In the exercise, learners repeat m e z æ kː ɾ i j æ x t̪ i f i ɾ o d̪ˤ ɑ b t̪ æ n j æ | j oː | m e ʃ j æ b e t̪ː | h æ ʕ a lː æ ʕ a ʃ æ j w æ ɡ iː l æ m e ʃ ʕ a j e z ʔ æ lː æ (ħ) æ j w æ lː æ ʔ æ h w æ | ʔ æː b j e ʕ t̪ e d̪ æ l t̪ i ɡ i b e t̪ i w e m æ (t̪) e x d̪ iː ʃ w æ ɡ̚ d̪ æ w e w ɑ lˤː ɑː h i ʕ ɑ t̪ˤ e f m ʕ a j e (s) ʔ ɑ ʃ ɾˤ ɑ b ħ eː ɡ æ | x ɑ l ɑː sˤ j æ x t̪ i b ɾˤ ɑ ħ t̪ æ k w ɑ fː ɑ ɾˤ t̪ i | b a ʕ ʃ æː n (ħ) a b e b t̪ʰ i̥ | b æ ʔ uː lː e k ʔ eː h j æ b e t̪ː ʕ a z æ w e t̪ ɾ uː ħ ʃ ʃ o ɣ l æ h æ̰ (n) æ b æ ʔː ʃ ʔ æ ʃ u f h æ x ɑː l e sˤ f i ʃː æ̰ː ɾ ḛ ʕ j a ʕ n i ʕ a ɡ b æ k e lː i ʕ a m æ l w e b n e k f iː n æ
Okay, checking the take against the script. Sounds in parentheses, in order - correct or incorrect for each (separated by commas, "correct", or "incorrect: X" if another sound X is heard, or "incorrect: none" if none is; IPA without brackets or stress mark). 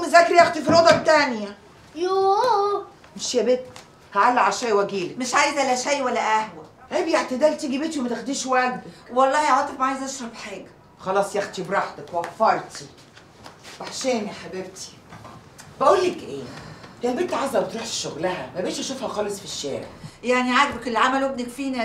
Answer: incorrect: ʃ, correct, incorrect: z, correct, incorrect: m